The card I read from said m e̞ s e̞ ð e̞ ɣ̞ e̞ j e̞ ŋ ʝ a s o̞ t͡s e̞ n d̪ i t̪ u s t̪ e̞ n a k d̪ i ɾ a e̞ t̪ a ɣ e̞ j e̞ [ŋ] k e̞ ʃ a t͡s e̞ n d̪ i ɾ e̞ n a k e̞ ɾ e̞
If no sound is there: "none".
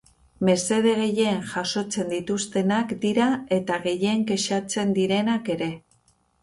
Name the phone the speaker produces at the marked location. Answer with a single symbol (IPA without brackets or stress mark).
ŋ